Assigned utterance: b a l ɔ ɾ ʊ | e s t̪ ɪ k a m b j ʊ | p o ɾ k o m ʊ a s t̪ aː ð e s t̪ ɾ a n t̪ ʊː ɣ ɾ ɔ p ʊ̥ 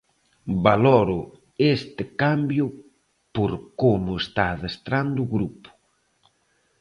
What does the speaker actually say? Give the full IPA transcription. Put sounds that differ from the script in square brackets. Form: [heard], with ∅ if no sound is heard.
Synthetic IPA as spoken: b a l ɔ ɾ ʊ | e s t̪ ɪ k a m b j ʊ | p o ɾ k o m ʊ [e] s t̪ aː ð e s t̪ ɾ a n [d̪] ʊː ɣ ɾ [u] p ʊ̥